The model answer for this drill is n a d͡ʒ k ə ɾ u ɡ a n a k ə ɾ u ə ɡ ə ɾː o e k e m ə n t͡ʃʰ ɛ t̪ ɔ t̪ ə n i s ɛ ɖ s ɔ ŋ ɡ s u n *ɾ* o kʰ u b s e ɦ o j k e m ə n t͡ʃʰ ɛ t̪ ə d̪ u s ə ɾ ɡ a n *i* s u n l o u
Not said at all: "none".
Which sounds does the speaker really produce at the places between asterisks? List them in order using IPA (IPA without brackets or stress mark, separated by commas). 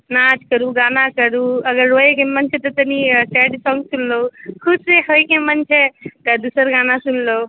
l, a